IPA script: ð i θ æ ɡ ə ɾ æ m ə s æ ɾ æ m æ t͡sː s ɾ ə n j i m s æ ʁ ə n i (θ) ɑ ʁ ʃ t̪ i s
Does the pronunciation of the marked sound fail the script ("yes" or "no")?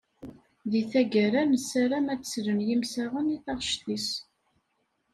no